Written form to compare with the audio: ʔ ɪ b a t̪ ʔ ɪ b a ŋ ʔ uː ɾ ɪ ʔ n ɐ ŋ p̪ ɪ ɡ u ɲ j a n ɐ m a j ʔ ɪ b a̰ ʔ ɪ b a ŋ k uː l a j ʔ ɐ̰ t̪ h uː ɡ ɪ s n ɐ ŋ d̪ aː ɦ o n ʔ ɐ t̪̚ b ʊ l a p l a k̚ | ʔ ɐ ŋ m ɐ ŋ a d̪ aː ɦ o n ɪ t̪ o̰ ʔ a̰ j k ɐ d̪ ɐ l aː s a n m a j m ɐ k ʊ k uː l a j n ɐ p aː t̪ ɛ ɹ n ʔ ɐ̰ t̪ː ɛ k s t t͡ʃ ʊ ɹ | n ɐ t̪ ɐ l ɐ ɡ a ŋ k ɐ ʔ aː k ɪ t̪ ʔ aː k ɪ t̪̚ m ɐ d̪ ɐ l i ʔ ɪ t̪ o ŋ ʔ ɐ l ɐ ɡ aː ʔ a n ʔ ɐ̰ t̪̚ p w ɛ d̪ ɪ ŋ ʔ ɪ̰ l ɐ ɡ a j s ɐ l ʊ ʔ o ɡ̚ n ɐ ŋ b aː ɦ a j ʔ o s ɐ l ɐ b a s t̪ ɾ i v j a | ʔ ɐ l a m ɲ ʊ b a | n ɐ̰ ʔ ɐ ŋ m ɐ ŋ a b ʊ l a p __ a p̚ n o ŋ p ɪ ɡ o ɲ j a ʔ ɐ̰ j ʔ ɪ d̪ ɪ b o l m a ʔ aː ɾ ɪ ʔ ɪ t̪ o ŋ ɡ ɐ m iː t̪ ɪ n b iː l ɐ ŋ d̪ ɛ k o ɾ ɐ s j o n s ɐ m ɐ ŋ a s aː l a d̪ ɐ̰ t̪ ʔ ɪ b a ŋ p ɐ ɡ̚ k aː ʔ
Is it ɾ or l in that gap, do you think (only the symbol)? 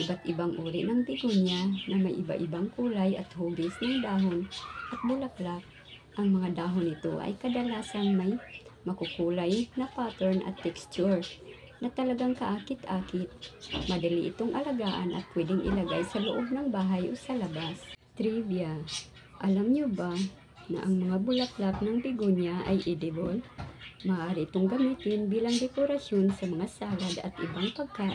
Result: l